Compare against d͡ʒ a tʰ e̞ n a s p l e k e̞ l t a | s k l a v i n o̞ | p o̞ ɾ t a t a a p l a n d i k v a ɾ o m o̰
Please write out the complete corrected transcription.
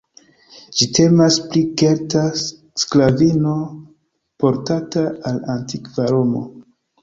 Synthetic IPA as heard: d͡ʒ i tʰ e̞ m a s p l i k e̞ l t a | s k l a v i n o̞ | p o̞ ɾ t a t a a l a n t i k v a ɾ o m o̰